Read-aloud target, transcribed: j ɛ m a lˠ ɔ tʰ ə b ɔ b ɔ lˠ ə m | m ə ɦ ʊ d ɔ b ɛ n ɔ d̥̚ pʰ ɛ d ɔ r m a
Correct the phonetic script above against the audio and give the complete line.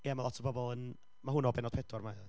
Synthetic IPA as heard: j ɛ m a lˠ ɔ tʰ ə b ɔ b ɔ lˠ ə n | m a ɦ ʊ n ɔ b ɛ n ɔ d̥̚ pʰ ɛ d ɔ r m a